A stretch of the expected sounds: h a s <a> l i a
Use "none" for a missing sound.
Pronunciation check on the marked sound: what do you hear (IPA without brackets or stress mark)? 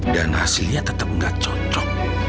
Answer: i